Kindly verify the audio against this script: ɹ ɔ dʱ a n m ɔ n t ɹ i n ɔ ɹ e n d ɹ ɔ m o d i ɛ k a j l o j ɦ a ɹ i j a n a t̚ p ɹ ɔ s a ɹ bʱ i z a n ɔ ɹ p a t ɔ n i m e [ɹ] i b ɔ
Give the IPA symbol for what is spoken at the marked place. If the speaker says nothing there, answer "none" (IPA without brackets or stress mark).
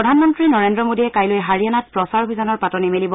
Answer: l